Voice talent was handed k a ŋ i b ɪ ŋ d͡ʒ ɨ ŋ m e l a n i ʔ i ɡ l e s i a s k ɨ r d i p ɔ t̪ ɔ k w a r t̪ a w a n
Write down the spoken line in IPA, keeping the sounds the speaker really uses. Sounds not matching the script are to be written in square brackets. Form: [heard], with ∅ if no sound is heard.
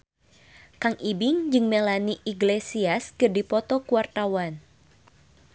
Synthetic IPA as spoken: k a ŋ i b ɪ ŋ d͡ʒ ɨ ŋ m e l a n i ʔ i ɡ l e s i a s k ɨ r d i p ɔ t̪ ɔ k [u] a r t̪ a w a n